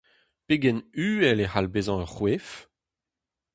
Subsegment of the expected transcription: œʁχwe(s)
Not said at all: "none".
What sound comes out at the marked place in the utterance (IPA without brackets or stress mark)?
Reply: f